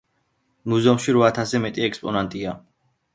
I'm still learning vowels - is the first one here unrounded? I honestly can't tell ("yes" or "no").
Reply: no